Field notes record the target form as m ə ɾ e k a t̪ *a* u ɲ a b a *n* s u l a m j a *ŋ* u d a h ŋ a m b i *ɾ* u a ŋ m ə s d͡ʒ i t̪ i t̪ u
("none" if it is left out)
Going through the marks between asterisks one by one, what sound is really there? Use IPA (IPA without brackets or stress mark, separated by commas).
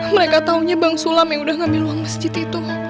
a, ŋ, ŋ, l